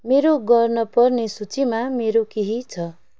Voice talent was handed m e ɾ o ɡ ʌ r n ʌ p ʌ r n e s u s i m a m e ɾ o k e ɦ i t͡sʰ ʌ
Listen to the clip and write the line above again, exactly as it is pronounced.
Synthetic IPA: m e ɾ o ɡ ʌ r n ʌ p ʌ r n e s u t͡s i m a m e ɾ o k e ɦ i t͡sʰ ʌ